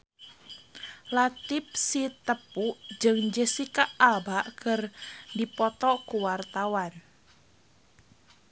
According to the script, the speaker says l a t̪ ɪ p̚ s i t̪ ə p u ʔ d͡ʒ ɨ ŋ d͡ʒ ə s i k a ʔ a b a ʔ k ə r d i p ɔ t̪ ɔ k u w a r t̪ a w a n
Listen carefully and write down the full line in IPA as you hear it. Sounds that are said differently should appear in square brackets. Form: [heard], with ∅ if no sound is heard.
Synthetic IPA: l a t̪ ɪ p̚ s i t̪ ə p u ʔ d͡ʒ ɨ ŋ d͡ʒ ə s i k a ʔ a b a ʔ k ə r d i p ɔ t̪ ɔ k u w a r t̪ a w a n